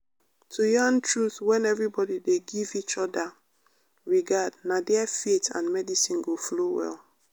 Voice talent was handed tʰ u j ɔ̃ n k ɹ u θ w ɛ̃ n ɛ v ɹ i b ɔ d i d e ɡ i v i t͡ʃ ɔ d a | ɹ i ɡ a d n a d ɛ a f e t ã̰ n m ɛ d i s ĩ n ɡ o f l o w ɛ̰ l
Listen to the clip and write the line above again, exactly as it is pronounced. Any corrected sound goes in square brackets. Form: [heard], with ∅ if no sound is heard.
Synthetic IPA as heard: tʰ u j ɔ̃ n [t] ɹ u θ w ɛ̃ n ɛ v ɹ i b ɔ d i d e ɡ i v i t͡ʃ ɔ d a | ɹ i ɡ a d n a d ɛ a f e t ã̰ n m ɛ d i s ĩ n ɡ o f l o w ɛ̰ l

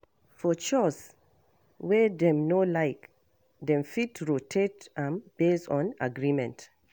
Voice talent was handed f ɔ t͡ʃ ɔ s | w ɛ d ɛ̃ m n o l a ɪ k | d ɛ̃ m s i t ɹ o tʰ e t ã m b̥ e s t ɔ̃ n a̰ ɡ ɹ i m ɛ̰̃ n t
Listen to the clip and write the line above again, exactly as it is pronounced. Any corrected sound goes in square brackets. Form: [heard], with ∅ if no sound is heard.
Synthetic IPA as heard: f ɔ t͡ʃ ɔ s | w ɛ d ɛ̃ m n o l a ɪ k | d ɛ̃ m [f] i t ɹ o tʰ e t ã m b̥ e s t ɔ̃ n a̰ ɡ ɹ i m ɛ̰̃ n t

